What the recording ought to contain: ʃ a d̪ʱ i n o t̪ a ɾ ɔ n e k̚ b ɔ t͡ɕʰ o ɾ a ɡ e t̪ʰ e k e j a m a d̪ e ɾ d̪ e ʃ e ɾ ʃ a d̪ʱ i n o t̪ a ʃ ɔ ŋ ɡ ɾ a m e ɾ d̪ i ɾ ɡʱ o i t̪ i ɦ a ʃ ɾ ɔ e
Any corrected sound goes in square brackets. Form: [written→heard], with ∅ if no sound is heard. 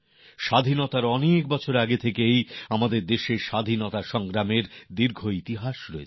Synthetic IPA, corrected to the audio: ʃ a d̪ʱ i n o t̪ a ɾ ɔ n e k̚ b ɔ t͡ɕʰ o ɾ a ɡ e t̪ʰ e k e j a m a d̪ e ɾ d̪ e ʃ e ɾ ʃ a d̪ʱ i n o t̪ a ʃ ɔ ŋ ɡ ɾ a m e ɾ d̪ i ɾ ɡʱ o i t̪ i ɦ a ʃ ɾ ɔ e